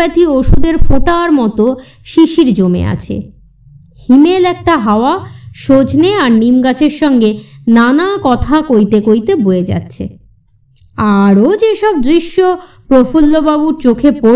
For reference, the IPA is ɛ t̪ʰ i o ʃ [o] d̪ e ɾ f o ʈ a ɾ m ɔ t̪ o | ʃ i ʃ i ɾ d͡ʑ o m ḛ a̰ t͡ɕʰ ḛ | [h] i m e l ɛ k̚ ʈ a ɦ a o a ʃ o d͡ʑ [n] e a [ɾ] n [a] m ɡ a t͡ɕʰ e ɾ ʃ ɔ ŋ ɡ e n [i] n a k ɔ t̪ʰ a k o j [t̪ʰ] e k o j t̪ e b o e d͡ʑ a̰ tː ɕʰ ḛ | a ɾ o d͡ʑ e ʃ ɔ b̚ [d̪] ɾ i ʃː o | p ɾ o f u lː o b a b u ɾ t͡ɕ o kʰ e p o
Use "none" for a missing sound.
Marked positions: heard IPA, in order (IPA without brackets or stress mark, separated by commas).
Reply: u, h, n, ɾ, i, a, t̪, d̪